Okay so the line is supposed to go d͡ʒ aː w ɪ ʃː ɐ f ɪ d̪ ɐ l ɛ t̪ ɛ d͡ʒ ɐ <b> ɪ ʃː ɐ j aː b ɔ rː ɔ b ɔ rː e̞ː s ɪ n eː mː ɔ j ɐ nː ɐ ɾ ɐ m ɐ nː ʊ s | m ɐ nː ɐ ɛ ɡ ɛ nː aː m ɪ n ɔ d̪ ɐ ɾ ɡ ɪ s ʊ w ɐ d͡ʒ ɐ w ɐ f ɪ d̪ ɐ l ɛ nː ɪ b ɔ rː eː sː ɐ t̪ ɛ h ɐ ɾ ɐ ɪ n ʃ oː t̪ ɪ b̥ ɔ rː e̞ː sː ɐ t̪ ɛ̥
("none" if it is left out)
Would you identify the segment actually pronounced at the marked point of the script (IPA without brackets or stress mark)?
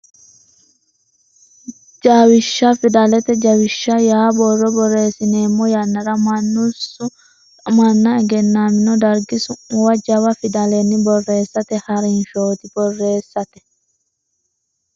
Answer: w